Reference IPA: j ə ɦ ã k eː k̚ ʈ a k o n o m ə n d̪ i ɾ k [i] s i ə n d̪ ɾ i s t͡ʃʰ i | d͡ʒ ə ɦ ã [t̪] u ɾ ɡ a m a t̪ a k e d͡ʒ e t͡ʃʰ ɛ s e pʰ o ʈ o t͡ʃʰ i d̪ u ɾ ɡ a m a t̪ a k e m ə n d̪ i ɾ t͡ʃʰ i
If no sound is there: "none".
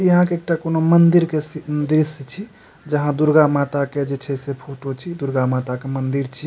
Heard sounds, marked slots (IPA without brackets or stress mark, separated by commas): e, d̪